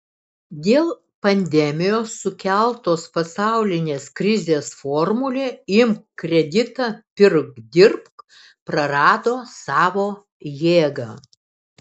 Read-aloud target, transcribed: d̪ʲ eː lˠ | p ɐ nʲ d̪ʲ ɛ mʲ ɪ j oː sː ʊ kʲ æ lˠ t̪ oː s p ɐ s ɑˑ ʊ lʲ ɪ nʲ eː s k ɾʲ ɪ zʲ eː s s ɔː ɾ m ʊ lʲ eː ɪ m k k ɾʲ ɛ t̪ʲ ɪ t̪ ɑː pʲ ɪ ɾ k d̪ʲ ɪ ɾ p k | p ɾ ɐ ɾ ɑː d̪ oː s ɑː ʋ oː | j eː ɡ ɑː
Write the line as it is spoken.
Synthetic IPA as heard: d̪ʲ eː lˠ | p ɐ nʲ d̪ʲ ɛ mʲ ɪ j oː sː ʊ kʲ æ lˠ t̪ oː s p ɐ s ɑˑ ʊ lʲ ɪ nʲ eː s k ɾʲ ɪ zʲ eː s f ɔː ɾ m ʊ lʲ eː ɪ m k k ɾʲ ɛ d̪ʲ ɪ t̪ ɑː pʲ ɪ ɾ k d̪ʲ ɪ ɾ p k | p ɾ ɐ ɾ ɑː d̪ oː s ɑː ʋ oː | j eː ɡ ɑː